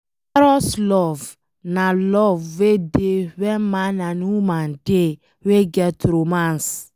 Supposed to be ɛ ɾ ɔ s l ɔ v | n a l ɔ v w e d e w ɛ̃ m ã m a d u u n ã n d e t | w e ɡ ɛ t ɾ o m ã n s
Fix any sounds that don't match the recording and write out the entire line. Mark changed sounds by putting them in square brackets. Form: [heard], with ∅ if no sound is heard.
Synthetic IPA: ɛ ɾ ɔ s l ɔ v | n a l ɔ v w e d e w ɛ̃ m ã [n] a [n] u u [m] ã n d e [∅] | w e ɡ ɛ t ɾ o m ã n s